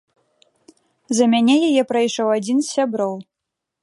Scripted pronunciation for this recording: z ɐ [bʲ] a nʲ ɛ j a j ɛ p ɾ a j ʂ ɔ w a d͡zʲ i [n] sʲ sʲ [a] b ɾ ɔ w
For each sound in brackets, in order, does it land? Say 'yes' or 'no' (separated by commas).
no, yes, yes